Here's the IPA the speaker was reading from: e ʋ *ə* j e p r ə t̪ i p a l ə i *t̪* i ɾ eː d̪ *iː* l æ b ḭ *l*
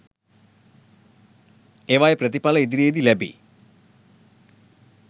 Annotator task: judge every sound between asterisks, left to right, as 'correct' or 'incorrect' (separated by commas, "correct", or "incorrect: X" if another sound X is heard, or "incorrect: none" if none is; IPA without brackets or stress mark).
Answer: incorrect: a, incorrect: d̪, incorrect: i, incorrect: none